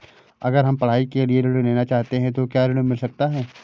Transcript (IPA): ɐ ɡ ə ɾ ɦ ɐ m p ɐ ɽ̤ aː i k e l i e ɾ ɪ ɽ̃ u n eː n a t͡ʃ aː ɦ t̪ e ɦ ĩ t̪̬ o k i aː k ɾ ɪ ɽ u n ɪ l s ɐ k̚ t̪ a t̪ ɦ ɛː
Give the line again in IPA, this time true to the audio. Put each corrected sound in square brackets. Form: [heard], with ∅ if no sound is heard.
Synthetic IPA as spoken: ɐ ɡ ə ɾ ɦ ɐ m p ɐ ɽ̤ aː i k e l i e ɾ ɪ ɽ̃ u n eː n a t͡ʃ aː ɦ t̪ e ɦ [ɛ̃] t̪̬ o k [j] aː [∅] ɾ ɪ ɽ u [m] ɪ l s ɐ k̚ t̪ a [∅] ɦ ɛː